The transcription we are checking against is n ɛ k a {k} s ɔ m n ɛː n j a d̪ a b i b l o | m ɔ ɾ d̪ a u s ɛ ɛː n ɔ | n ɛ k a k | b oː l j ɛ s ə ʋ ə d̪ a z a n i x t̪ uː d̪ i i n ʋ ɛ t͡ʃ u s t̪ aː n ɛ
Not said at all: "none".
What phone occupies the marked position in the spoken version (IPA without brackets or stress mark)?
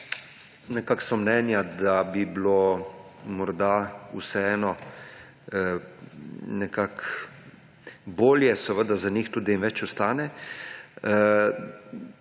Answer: k